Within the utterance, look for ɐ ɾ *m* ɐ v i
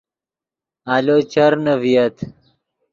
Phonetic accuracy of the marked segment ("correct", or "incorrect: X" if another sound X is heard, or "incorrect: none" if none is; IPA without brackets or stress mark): incorrect: n